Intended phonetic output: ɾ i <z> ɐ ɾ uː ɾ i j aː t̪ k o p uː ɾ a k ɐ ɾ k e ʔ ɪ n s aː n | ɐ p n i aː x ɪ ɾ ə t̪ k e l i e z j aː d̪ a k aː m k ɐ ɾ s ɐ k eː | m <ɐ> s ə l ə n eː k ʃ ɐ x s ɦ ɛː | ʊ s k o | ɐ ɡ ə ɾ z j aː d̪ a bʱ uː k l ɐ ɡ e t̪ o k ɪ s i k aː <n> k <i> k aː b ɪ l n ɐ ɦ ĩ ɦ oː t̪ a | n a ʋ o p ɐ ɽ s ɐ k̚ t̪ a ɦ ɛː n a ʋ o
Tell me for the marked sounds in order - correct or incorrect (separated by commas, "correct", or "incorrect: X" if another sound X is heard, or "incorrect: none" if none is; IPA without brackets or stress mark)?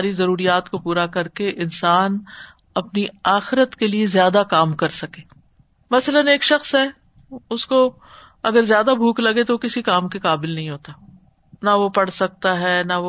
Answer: correct, correct, incorrect: m, incorrect: e